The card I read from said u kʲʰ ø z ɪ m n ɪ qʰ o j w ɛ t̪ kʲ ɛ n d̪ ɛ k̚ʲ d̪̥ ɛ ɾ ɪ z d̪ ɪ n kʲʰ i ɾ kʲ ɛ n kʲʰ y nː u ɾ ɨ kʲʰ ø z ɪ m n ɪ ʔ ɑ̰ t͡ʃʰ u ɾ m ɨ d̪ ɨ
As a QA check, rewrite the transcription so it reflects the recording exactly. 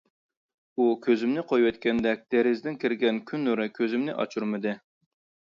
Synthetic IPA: u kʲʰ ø z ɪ m n ɪ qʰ o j w ɛ t̪ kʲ ɛ n d̪ ɛ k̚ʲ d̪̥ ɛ ɾ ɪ z d̪ ɪ n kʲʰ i ɾ ɡʲ ɛ n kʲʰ y nː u ɾ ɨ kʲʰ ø z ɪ m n ɪ ʔ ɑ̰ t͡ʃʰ u ɾ m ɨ d̪ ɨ